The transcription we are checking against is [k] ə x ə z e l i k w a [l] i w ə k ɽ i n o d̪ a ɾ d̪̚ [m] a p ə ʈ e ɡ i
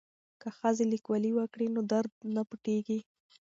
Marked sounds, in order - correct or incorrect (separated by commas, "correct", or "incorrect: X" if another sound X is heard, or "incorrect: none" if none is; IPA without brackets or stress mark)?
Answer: correct, correct, incorrect: n